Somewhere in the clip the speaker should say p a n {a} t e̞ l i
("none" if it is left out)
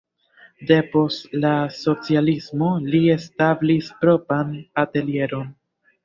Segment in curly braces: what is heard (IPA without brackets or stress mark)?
a